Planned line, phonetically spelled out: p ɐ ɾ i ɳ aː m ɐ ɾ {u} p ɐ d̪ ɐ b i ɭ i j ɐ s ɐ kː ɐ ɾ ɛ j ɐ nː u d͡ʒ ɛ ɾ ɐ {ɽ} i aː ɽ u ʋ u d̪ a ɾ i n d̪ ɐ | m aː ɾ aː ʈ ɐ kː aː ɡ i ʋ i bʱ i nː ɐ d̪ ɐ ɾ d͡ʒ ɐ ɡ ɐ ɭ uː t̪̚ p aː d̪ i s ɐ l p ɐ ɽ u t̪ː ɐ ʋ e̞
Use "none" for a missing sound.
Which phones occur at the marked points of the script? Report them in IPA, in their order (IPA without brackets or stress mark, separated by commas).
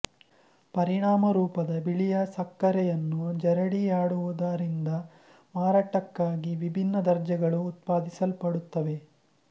uː, ɽ